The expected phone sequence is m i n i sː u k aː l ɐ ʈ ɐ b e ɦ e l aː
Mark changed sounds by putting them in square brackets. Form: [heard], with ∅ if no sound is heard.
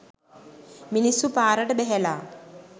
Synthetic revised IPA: m i n i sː u [p] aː [ɾ] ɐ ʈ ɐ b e ɦ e l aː